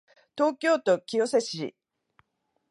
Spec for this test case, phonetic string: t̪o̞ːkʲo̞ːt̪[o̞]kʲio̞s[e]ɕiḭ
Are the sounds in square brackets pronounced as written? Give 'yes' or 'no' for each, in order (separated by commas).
yes, yes